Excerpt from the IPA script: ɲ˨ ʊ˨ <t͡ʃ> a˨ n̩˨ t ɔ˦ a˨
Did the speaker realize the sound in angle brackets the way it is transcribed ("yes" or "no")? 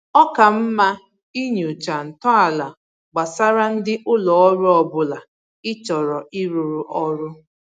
yes